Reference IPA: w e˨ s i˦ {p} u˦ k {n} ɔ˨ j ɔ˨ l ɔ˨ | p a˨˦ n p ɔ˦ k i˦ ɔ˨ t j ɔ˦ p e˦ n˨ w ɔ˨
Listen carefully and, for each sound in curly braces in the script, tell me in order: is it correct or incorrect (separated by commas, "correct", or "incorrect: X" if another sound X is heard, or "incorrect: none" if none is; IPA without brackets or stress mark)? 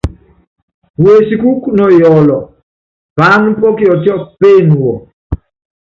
incorrect: k, correct